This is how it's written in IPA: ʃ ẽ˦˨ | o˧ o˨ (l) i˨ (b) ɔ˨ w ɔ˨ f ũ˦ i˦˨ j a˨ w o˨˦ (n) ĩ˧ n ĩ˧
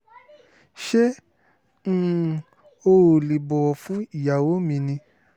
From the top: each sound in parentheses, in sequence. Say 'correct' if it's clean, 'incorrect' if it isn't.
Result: correct, correct, incorrect

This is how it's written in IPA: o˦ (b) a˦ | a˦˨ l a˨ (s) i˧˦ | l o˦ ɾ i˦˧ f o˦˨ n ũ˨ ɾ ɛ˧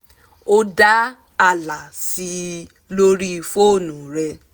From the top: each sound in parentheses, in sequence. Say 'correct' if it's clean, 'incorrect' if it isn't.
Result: incorrect, correct

